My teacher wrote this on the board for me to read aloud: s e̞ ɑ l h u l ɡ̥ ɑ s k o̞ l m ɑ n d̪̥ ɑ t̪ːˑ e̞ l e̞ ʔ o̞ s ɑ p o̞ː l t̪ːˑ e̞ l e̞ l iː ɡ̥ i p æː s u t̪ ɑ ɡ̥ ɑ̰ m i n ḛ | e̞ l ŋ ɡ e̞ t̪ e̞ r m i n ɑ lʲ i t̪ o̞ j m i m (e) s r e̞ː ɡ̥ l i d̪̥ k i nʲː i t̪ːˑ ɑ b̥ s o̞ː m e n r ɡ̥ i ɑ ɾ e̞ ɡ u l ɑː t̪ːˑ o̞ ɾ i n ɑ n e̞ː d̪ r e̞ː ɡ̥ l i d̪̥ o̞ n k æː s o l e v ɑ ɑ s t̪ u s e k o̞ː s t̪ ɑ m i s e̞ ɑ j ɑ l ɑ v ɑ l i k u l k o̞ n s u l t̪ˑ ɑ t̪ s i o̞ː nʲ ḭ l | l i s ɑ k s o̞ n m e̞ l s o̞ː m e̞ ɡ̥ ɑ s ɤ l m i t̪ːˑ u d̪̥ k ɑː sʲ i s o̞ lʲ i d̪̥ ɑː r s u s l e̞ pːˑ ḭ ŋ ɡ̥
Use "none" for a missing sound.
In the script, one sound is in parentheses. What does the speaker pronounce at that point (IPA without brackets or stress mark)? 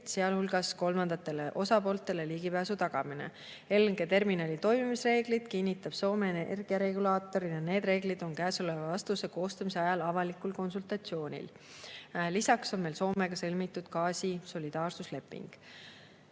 i